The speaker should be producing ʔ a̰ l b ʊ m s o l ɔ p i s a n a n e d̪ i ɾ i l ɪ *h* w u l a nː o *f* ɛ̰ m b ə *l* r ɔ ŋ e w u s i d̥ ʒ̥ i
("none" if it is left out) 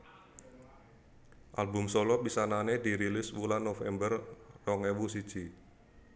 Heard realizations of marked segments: s, f, r

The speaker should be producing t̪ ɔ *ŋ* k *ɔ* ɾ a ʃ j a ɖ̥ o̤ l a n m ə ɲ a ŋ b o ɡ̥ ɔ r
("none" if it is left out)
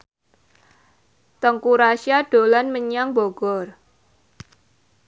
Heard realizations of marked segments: ŋ, u

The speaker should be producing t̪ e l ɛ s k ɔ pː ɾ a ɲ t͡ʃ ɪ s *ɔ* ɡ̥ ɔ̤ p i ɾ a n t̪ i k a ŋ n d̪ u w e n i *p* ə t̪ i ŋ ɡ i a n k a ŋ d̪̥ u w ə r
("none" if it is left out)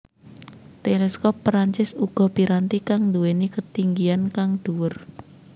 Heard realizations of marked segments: u, k

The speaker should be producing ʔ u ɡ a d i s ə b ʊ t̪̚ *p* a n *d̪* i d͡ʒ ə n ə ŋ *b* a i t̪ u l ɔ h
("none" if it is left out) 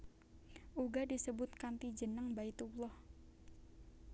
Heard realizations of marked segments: k, t̪, b

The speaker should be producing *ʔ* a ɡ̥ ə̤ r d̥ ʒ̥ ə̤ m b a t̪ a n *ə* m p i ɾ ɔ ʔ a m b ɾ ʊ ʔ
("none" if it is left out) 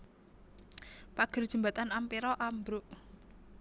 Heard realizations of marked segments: p, a

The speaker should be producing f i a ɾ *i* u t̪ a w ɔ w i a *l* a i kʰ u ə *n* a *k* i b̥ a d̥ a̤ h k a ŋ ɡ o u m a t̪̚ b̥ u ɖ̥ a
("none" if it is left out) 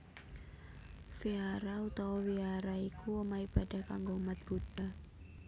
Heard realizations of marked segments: a, ɾ, m, none

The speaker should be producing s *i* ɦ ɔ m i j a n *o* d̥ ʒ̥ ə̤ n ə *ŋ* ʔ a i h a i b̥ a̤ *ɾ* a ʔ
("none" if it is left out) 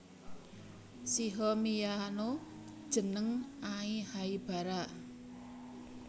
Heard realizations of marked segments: i, o, ŋ, ɾ

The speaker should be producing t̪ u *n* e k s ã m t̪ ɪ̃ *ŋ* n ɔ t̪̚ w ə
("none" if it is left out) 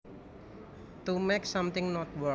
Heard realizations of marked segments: m, ŋ

